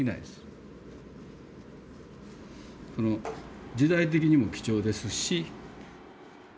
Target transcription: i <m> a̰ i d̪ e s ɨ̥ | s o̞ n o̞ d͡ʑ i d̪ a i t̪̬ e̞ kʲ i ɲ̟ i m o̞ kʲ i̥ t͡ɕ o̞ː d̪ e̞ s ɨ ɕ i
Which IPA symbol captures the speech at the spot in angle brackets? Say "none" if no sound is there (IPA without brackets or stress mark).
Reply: n